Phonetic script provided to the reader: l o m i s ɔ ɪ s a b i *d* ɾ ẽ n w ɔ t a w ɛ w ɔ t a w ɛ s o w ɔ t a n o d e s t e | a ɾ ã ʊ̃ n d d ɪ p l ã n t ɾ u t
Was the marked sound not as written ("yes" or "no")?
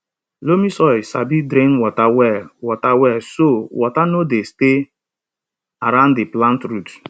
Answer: no